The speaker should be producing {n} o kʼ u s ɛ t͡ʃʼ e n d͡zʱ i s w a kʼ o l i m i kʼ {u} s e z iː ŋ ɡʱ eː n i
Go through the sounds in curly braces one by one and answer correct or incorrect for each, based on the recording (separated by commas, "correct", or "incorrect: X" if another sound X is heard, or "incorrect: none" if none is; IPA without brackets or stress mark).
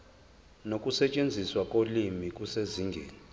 correct, correct